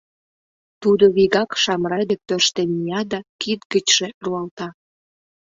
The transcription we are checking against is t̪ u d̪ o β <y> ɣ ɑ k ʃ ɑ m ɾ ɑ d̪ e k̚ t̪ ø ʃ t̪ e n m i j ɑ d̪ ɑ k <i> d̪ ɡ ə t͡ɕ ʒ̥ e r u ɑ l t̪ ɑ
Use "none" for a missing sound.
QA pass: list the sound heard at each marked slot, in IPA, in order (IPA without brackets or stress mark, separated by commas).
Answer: i, i